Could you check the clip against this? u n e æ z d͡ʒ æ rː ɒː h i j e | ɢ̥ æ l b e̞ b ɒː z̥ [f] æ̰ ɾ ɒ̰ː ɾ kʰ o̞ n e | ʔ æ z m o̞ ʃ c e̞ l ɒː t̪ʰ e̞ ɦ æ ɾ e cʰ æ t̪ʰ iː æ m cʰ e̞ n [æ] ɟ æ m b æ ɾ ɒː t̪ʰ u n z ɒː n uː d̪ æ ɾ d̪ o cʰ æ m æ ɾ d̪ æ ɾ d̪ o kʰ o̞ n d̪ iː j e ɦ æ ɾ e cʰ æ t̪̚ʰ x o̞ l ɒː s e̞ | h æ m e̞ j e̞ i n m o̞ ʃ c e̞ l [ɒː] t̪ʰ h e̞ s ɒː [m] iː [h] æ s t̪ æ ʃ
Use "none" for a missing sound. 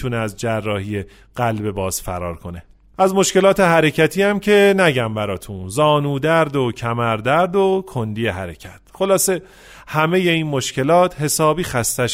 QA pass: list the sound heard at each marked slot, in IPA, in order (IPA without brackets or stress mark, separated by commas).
f, æ, ɒː, b, x